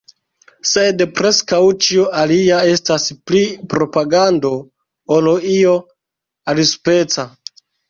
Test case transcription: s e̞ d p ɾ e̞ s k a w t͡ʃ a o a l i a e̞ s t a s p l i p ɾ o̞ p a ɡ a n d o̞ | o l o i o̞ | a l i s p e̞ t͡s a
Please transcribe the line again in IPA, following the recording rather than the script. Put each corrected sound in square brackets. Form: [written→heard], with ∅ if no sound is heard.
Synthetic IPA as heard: s e̞ d p ɾ e̞ s k a w t͡ʃ [a→i] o a l i a e̞ s t a s p l i p ɾ o̞ p a ɡ a n d o̞ | o l o i o̞ | a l i s p e̞ t͡s a